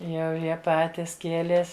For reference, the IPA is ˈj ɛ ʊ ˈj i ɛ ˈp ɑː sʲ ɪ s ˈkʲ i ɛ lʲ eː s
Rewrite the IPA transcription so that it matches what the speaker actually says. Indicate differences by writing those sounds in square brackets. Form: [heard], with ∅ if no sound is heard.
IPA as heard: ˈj ɛ ʊ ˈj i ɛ ˈp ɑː [tʲ] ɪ s ˈkʲ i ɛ lʲ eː s